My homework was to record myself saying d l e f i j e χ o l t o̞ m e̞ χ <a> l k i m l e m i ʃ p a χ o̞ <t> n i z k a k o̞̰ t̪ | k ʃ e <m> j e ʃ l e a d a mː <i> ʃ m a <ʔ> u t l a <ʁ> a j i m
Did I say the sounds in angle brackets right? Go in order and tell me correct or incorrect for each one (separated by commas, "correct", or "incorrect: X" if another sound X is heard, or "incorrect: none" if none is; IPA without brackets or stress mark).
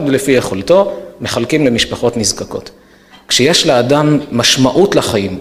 correct, correct, incorrect: none, incorrect: a, correct, incorrect: χ